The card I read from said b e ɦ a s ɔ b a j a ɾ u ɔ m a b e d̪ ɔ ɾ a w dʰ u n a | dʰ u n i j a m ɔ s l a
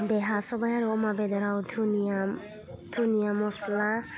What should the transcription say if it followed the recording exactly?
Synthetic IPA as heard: b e ɦ a s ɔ b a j a ɾ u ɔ m a b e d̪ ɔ ɾ a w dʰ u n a | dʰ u n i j a m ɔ s l a